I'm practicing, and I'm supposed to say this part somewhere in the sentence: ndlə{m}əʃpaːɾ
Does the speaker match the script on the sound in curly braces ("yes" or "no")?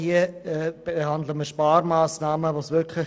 yes